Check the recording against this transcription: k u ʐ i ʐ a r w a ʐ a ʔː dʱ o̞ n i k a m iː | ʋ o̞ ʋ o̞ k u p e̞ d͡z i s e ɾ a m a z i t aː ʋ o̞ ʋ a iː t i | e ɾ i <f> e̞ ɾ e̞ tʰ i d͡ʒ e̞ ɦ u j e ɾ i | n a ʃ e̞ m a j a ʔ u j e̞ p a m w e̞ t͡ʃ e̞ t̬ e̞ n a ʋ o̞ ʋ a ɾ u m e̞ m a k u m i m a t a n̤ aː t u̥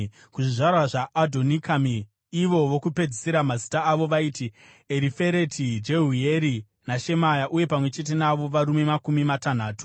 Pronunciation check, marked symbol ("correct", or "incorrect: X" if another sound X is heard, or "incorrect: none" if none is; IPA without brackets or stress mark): correct